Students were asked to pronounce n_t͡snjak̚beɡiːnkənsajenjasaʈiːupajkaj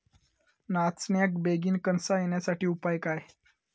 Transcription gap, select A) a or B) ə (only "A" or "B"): A